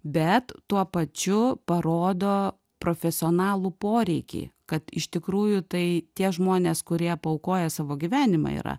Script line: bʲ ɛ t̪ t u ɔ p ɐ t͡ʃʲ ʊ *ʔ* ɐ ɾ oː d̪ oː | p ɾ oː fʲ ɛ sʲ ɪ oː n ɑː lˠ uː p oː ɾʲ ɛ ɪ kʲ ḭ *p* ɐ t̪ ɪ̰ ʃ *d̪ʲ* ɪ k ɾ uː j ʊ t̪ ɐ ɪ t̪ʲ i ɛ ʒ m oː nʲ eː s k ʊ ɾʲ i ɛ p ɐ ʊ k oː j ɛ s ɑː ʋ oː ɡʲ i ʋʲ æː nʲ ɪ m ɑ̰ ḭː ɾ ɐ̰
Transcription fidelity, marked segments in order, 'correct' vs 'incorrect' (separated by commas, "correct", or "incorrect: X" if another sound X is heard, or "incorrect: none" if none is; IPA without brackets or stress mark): incorrect: p, incorrect: k, incorrect: t̪ʲ